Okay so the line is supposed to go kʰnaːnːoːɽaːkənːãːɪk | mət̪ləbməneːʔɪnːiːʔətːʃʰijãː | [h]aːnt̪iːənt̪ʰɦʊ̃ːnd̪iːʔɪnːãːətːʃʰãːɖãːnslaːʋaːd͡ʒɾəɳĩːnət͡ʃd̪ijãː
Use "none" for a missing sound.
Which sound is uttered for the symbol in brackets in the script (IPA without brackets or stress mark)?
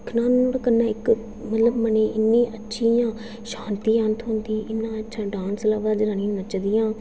ʃ